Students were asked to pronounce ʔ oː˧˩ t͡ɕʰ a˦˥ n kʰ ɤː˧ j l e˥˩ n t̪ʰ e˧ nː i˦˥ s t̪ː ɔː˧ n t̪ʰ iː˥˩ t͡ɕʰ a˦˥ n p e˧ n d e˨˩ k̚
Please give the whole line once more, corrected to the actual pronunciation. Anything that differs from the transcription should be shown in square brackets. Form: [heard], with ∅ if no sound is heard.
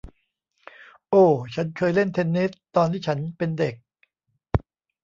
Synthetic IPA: ʔ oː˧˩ t͡ɕʰ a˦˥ n kʰ ɤː˧ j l e˥˩ n t̪ʰ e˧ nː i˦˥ s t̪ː ɔː˧ n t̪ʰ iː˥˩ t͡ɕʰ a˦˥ n p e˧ n d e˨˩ k̚

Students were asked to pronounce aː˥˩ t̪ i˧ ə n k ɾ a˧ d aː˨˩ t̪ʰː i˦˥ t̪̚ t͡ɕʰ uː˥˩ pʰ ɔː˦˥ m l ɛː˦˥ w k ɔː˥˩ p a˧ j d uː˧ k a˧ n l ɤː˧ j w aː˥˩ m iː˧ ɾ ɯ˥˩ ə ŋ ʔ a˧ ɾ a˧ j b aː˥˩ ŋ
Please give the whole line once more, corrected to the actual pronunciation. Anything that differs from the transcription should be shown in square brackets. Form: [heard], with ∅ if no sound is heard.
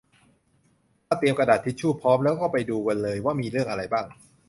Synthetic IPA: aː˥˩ t̪ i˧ ə [m] k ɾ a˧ d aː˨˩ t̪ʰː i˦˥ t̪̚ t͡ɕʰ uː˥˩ pʰ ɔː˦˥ m l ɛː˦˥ w k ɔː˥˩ p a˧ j d uː˧ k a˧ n l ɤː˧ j w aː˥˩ m iː˧ ɾ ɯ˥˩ ə ŋ ʔ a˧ ɾ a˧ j b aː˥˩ ŋ

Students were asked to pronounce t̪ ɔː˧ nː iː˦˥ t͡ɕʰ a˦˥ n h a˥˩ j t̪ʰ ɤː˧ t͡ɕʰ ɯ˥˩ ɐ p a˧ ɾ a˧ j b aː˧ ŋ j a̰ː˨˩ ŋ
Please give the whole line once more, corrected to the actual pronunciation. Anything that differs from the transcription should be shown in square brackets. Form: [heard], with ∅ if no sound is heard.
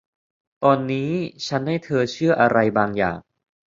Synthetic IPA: t̪ ɔː˧ nː iː˦˥ t͡ɕʰ a˦˥ n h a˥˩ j t̪ʰ ɤː˧ t͡ɕʰ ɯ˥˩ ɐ [ʔ] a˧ ɾ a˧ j b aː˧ ŋ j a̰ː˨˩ ŋ

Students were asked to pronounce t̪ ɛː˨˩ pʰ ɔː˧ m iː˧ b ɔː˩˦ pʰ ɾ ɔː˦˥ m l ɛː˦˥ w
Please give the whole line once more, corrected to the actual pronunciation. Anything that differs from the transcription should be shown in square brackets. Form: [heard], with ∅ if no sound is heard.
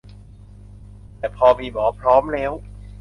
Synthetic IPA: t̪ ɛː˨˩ pʰ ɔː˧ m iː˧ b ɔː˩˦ pʰ ɾ ɔː˦˥ m l ɛː˦˥ w

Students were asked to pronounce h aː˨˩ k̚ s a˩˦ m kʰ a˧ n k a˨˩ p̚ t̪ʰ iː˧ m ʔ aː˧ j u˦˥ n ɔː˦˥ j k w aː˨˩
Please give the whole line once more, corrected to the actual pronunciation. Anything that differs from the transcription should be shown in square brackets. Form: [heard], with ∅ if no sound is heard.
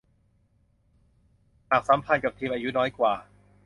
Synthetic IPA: h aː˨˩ k̚ s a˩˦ m [pʰ] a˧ n k a˨˩ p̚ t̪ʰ iː˧ m ʔ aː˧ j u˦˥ n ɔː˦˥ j k w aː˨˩

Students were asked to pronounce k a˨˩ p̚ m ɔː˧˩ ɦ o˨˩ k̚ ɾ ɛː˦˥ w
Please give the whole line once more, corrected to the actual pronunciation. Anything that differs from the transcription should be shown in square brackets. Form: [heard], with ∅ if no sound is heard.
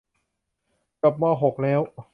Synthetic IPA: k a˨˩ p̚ m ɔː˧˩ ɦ o˨˩ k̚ [l] ɛː˦˥ w

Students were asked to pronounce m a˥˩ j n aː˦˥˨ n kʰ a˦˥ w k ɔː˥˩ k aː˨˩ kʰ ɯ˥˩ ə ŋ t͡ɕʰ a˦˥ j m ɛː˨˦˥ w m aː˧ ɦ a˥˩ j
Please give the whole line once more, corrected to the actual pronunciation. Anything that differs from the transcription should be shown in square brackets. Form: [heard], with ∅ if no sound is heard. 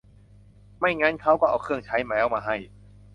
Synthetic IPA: m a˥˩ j [ŋ] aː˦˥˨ n kʰ a˦˥ w k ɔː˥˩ [ʔ] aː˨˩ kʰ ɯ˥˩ ə ŋ t͡ɕʰ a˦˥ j m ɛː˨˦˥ w m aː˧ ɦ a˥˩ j

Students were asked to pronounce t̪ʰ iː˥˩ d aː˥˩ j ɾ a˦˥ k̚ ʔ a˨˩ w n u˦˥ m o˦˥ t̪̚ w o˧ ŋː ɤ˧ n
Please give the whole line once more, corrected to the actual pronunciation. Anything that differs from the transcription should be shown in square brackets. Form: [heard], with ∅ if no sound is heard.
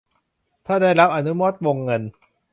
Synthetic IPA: t̪ʰ [aː˥˩] d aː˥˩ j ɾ a˦˥ [p̚] ʔ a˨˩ [∅] n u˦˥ m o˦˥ t̪̚ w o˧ ŋː ɤ˧ n

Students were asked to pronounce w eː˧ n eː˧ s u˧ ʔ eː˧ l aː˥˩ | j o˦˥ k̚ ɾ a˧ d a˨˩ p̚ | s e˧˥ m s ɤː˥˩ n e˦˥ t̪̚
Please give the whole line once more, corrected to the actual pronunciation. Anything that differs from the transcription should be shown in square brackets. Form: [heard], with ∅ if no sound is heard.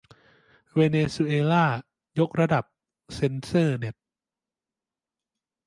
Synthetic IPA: w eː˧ n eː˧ s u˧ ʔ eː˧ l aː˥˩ | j o˦˥ k̚ ɾ a˧ d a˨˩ p̚ | s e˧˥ [n] s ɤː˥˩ n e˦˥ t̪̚

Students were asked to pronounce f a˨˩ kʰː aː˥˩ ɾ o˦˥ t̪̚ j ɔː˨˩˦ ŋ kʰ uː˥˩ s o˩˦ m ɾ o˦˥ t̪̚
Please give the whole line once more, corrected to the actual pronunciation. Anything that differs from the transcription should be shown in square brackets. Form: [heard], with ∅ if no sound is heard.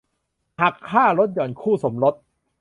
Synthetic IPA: [h] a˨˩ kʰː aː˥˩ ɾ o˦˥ t̪̚ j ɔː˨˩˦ [n] kʰ uː˥˩ s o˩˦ m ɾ o˦˥ t̪̚

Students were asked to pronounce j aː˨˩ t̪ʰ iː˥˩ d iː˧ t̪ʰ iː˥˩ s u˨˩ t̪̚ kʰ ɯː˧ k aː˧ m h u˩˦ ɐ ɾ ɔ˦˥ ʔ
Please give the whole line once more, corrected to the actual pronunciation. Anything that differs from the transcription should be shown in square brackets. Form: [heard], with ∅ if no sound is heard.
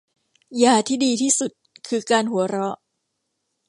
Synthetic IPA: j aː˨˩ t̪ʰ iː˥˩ d iː˧ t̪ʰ iː˥˩ s u˨˩ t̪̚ kʰ ɯː˧ k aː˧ [n] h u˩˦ ɐ ɾ ɔ˦˥ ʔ

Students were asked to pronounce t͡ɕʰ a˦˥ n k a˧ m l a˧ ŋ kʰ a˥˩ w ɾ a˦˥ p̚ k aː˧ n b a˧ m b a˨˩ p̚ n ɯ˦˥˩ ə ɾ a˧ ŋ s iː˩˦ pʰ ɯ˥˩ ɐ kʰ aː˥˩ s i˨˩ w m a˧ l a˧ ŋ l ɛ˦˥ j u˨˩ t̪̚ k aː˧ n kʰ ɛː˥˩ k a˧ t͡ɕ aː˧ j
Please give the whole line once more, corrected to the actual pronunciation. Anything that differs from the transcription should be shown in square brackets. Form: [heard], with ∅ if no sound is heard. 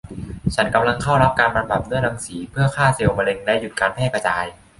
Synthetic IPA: t͡ɕʰ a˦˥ n k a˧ m l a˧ ŋ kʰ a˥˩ w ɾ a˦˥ p̚ k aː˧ n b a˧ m b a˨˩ p̚ n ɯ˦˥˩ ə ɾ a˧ ŋ s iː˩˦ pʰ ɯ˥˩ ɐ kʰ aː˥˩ s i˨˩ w m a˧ l [e˧] ŋ l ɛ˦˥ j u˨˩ t̪̚ k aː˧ n [pʰ] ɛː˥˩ k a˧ t͡ɕ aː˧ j

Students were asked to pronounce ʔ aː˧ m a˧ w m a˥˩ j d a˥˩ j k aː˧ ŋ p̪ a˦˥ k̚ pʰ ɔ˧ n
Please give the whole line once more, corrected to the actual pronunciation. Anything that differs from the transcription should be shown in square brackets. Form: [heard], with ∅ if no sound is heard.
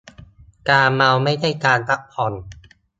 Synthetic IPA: [k] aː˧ m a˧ w m a˥˩ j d a˥˩ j k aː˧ [n] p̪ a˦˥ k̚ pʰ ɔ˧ n

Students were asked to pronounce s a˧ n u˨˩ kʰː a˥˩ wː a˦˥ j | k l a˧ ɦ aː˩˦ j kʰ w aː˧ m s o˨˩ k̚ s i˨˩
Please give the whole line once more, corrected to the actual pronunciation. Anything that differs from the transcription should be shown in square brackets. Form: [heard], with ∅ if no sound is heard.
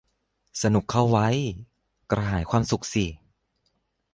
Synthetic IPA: s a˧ n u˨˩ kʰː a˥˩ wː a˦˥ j | k [ɾ] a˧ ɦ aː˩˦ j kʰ w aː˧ m s [u˨˩] k̚ s i˨˩

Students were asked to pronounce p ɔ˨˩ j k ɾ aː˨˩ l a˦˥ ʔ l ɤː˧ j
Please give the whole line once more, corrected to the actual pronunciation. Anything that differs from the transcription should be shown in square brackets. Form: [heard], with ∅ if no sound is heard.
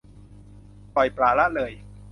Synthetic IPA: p ɔ˨˩ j [p] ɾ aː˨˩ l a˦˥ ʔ l ɤː˧ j

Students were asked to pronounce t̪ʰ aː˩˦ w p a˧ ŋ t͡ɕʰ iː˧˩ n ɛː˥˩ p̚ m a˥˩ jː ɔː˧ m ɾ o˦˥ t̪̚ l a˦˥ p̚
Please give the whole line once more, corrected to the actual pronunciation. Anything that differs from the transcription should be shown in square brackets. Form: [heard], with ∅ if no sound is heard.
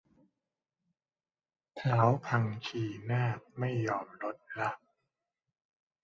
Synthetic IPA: t̪ʰ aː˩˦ w [pʰ] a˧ ŋ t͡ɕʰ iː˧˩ n [aː˥˩] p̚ m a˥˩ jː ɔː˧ m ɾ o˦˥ t̪̚ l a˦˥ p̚

